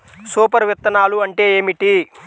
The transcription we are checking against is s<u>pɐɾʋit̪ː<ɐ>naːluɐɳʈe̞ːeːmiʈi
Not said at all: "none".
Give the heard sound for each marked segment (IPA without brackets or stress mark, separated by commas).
uː, ɐ